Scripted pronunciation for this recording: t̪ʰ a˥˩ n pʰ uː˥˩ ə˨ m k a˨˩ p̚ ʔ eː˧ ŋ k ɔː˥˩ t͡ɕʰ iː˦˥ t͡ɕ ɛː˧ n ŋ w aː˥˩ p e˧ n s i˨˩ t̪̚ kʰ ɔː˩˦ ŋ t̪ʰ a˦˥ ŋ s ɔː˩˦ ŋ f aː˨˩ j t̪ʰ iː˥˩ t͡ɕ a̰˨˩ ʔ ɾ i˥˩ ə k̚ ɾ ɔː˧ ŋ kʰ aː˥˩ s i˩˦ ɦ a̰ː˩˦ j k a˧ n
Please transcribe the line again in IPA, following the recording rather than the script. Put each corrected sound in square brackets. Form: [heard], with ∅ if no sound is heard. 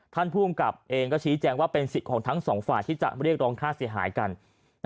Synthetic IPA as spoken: t̪ʰ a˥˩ n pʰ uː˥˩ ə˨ m k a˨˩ p̚ ʔ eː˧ ŋ k ɔː˥˩ t͡ɕʰ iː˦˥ t͡ɕ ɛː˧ [∅] ŋ w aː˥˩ p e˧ n s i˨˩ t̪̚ kʰ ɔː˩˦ ŋ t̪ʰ a˦˥ ŋ s ɔː˩˦ ŋ f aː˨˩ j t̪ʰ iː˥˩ t͡ɕ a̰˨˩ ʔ ɾ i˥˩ ə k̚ ɾ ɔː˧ ŋ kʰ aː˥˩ s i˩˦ ɦ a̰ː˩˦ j k a˧ n